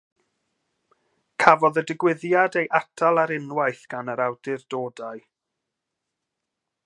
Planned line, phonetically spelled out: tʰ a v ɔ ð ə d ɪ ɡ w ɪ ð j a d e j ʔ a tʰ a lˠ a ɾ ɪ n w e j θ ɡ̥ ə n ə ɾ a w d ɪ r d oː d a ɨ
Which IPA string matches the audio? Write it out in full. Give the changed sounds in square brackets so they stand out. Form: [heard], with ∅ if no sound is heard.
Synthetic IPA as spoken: [kʰ] a v ɔ ð ə d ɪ ɡ w ɪ ð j a d e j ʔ a tʰ a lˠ a ɾ ɪ n w [a] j θ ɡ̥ [a] n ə ɾ a w d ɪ r d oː d a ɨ